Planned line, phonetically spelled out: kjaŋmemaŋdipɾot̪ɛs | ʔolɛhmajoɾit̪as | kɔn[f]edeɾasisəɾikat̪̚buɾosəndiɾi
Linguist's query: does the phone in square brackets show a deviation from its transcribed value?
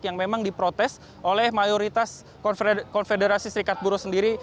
no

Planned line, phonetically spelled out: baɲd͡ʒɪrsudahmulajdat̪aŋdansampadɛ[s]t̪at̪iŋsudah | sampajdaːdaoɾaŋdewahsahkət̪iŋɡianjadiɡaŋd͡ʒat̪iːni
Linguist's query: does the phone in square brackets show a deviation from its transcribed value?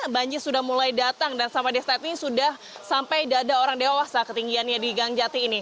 no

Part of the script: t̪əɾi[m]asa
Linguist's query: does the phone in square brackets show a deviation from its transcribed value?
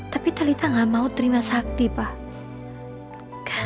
no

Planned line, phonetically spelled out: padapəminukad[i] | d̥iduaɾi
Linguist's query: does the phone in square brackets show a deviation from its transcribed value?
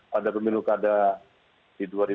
yes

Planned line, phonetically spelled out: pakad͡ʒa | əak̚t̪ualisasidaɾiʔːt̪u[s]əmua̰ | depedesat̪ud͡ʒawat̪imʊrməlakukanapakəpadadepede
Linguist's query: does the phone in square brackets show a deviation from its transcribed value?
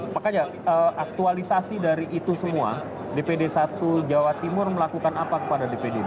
no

